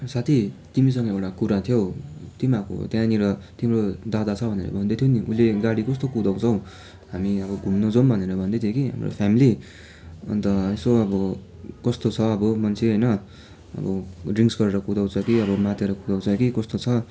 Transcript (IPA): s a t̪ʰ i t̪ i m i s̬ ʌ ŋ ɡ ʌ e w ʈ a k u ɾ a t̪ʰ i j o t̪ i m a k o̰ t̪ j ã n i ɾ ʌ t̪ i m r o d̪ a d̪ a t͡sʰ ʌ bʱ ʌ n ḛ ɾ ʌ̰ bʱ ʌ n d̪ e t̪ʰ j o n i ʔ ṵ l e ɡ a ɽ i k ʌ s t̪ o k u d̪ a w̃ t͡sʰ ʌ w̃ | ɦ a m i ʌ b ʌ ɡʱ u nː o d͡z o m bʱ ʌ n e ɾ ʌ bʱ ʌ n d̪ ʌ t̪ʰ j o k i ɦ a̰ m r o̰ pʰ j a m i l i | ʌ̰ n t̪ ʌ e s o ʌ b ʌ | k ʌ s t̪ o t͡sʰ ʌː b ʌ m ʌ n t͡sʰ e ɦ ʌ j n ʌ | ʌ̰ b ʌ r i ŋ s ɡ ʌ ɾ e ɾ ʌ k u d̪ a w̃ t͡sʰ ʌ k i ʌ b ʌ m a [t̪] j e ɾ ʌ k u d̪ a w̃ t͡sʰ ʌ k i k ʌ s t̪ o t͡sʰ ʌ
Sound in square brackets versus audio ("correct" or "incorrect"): correct